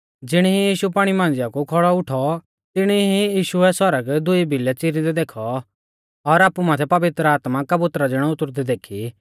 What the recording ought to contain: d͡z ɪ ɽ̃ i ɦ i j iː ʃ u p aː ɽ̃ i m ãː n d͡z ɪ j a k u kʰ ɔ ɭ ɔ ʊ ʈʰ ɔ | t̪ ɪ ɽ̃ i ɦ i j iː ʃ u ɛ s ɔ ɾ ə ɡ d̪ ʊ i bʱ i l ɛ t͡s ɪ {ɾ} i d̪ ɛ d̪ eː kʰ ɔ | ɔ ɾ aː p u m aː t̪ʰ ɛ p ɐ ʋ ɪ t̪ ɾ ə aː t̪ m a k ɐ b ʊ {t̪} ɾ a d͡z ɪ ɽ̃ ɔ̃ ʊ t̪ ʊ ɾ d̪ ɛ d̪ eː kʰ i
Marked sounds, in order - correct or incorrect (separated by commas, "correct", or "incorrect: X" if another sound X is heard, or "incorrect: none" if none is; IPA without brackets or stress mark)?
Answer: correct, correct